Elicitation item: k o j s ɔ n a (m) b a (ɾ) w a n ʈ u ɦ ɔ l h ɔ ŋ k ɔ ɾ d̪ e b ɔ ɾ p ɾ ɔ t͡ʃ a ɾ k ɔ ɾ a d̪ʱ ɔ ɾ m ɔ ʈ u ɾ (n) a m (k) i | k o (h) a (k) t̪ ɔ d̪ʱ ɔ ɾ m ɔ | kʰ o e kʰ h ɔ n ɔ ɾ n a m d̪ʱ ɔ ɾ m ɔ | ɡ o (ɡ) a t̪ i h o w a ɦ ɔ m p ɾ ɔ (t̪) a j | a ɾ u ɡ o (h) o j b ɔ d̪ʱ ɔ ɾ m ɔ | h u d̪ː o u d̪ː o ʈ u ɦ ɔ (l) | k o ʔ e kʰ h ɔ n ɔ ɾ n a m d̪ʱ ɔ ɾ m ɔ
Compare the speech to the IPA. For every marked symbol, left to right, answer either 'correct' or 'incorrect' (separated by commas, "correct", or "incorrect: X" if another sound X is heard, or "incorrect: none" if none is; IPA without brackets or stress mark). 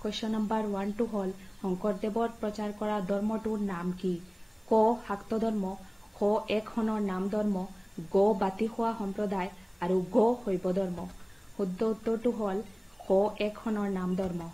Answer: correct, correct, correct, correct, correct, correct, incorrect: b, incorrect: d̪, correct, correct